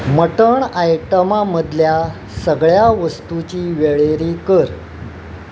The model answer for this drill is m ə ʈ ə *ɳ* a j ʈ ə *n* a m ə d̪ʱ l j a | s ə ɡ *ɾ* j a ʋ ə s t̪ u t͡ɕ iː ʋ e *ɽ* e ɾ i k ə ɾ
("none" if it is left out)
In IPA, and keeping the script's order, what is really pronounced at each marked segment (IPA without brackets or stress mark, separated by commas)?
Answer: ɳ, m, ɭ, ɭ